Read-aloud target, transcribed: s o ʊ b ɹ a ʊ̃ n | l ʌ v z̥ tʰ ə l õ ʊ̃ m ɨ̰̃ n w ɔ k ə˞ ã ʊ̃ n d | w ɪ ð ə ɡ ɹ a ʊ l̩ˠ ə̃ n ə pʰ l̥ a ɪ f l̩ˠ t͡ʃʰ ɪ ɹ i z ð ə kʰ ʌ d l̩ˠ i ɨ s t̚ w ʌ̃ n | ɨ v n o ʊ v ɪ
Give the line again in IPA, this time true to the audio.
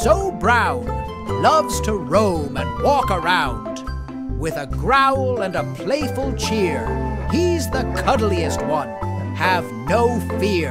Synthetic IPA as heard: s o ʊ b ɹ a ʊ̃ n | l ʌ v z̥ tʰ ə ɹ õ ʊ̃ m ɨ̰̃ n w ɔ k ə˞ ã ʊ̃ n d | w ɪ ð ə ɡ ɹ a ʊ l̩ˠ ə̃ n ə pʰ l̥ e ɪ f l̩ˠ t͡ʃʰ ɪ ɹ i z ð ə kʰ ʌ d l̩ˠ i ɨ s t̚ w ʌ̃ n | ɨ v n o ʊ f ɪ

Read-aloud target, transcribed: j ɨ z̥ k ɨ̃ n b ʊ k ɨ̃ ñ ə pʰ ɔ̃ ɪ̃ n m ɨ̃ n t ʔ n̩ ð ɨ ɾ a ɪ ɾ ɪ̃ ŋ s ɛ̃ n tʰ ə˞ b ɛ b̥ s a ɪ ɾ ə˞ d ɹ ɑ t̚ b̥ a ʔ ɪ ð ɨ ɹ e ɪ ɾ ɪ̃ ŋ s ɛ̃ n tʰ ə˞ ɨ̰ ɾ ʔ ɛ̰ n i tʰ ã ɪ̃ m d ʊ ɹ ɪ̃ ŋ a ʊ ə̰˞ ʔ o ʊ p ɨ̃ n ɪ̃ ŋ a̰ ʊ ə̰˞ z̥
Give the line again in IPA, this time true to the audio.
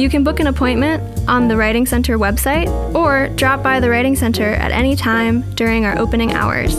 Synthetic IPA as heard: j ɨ k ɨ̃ n b ʊ k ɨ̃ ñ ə pʰ ɔ̃ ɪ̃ n m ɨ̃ n t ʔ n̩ ð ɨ ɹ a ɪ ɾ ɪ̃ ŋ s ɛ̃ n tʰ ə˞ w ɛ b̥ s a ɪ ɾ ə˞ d ɹ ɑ p̚ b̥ a ɪ ð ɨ ɹ a ɪ ɾ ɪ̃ ŋ s ɛ̃ n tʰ ə˞ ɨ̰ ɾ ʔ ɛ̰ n i tʰ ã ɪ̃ m d ʊ ɹ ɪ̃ ŋ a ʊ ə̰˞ ʔ o ʊ p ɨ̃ n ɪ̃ ŋ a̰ ʊ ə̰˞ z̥

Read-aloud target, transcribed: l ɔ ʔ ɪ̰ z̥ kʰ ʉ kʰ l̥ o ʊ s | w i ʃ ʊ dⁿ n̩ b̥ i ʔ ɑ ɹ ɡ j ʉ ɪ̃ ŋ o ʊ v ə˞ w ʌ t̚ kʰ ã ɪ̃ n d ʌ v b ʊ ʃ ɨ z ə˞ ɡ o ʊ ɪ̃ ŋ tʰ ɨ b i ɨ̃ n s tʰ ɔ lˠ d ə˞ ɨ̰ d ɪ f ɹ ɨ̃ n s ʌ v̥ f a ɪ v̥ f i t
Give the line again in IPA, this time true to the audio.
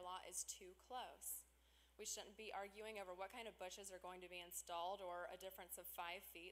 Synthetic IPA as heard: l ɔ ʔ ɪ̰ z̥ tʰ ʉ kʰ l̥ o ʊ s | w i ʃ ʊ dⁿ n̩ b̥ i ʔ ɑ ɹ ɡ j ʉ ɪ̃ ŋ o ʊ v ə˞ w ʌ t̚ kʰ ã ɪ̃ n d ʌ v b ʊ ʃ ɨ z ə˞ ɡ o ʊ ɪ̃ ŋ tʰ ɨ b i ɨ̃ n s t ɔ lˠ d ə˞ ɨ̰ d ɪ f ɹ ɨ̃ n s ʌ v̥ f a ɪ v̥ f i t

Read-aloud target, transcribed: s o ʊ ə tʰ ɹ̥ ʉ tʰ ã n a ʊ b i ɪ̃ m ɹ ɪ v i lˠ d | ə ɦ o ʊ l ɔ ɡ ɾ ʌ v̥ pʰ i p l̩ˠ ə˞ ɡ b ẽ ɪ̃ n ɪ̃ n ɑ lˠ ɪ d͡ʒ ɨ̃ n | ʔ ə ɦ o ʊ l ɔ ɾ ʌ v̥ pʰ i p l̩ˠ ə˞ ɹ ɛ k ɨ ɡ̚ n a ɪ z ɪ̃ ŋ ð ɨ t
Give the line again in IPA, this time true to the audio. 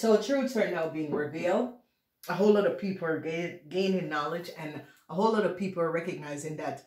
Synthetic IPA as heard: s o ʊ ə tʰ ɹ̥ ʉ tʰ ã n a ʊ b i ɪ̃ ŋ ɹ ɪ v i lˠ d | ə ɦ o ʊ l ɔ ɾ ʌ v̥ pʰ i p l̩ˠ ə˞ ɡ ɡ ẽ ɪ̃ n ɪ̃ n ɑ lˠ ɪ d͡ʒ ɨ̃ n | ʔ ə ɦ o ʊ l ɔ ɾ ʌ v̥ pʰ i p l̩ˠ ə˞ ɹ ɛ k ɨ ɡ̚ n a ɪ z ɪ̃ ŋ ð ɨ t

